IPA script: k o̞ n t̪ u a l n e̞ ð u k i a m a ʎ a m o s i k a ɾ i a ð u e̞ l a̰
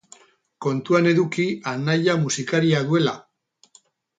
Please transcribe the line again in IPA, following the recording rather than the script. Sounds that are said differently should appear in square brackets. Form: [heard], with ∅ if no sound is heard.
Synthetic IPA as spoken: k o̞ n t̪ u a [∅] n e̞ ð u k i a [n] a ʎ a m [u] s i k a ɾ i a ð u e̞ l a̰